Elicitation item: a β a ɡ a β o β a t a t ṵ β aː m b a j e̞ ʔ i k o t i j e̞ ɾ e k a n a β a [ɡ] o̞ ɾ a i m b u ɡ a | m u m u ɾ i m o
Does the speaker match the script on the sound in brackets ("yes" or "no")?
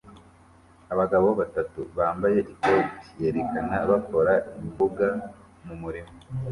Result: no